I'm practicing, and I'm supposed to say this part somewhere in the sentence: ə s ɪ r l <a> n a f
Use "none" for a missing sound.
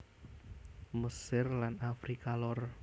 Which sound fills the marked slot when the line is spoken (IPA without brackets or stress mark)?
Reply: a